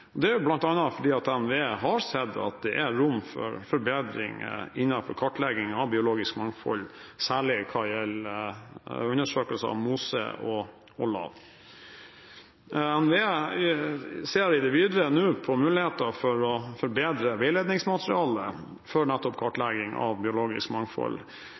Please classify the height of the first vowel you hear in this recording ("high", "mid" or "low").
mid